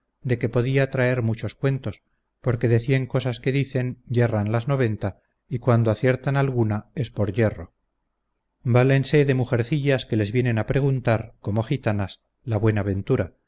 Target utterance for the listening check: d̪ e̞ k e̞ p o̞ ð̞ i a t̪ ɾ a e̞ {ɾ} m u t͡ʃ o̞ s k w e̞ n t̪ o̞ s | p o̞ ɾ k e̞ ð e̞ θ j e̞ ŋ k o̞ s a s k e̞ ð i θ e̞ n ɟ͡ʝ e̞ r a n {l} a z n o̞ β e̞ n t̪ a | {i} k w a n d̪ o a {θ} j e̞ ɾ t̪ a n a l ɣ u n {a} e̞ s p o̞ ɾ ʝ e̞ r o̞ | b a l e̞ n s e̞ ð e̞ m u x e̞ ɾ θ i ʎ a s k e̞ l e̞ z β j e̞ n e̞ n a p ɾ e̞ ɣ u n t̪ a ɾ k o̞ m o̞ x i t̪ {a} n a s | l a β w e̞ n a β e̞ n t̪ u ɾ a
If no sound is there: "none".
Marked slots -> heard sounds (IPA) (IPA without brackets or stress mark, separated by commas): ɾ, l, i, θ, a, a